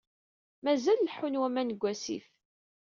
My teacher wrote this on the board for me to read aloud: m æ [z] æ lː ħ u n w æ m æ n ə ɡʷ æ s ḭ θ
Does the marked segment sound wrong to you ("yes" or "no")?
no